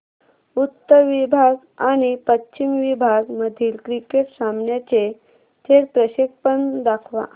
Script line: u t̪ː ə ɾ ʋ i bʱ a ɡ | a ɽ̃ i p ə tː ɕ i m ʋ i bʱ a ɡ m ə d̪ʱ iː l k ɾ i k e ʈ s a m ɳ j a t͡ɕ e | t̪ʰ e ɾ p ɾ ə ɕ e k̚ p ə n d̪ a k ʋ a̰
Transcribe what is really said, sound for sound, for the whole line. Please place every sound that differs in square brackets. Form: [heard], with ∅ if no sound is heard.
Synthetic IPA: u t̪ː ə ɾ ʋ i bʱ a ɡ | a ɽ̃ i p ə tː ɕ i m ʋ i bʱ a ɡ m ə d̪ʱ iː l k ɾ i k e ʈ s a m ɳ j a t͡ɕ e | t̪ʰ e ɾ p ɾ ə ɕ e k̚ p ə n d̪ a [kʰ] ʋ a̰